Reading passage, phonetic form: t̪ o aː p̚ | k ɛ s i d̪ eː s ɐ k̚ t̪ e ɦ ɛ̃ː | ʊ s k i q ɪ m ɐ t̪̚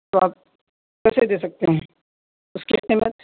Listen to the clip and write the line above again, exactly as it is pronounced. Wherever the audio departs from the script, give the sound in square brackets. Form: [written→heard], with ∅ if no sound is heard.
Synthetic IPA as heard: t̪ o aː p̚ | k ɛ s [i→e] d̪ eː s ɐ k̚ t̪ e ɦ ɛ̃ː | ʊ s k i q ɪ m [ɐ→ə] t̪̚